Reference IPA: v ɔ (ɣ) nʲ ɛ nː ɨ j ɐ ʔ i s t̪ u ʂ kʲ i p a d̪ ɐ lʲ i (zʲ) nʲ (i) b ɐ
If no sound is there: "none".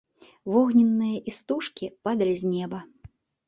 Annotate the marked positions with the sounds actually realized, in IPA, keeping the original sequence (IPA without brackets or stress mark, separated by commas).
ɣ, zʲ, ɛ